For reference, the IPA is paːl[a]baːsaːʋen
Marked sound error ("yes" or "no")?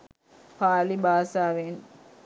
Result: yes